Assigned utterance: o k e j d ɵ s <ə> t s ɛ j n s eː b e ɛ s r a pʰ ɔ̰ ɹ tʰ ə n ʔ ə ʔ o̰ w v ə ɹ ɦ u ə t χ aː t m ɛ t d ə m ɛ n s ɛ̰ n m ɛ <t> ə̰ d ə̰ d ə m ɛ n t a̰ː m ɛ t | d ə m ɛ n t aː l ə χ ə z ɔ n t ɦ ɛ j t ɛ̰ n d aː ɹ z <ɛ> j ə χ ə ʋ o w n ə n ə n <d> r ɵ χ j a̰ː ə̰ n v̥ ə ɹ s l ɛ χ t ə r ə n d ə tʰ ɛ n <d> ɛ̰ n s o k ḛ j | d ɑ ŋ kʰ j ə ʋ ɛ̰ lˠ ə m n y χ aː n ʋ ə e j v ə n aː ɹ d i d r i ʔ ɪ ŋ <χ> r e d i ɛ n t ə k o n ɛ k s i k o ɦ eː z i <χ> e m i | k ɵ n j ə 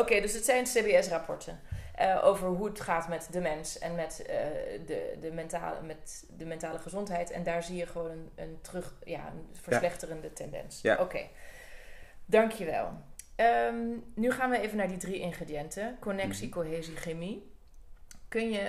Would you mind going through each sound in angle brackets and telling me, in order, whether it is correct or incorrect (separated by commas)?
correct, correct, incorrect, incorrect, correct, correct, correct